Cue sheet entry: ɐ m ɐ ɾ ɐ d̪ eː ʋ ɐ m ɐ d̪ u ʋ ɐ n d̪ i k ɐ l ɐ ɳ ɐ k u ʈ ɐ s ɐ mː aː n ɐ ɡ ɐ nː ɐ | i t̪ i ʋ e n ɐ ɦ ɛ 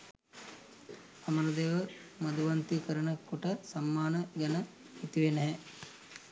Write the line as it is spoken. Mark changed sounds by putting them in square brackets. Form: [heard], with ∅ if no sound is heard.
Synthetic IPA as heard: ɐ m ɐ ɾ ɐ d̪ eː ʋ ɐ m ɐ d̪ u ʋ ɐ n [t̪] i k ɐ [ɾ] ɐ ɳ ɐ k u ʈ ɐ s ɐ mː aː n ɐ ɡ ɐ [n] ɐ | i t̪ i ʋ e n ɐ ɦ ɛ